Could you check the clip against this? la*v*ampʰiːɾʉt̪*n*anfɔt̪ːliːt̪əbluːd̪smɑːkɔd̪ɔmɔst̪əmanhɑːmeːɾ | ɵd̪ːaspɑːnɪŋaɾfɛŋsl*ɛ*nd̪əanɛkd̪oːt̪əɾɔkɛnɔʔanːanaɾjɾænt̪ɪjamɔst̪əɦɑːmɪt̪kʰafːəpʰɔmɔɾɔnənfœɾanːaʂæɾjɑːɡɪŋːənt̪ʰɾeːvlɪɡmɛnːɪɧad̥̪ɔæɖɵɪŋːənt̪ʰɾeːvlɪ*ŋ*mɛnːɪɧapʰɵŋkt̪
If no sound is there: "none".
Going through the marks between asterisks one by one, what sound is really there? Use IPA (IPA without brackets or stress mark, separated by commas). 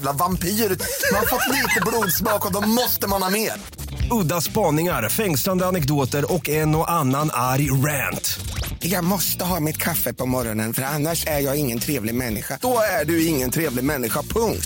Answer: v, m, a, ɡ